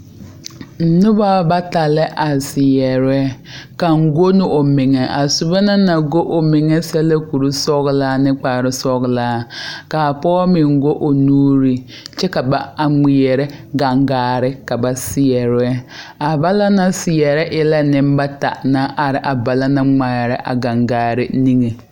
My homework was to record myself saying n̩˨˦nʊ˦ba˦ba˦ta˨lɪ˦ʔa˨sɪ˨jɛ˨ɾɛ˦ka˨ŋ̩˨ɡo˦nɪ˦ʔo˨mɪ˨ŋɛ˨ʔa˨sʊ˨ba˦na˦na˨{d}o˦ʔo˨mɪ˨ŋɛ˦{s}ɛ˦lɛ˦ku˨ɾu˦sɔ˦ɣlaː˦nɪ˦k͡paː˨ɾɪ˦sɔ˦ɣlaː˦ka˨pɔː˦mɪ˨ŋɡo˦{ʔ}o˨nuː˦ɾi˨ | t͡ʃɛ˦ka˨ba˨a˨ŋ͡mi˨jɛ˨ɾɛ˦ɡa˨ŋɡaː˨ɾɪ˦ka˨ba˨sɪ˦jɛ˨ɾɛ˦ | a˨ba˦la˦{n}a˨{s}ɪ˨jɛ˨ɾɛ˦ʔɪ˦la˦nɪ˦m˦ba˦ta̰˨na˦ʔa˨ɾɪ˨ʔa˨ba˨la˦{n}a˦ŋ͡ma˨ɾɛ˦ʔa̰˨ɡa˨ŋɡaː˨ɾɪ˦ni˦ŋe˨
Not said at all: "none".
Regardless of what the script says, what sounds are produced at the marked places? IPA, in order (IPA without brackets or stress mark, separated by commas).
ɡ, s, ʔ, n, s, n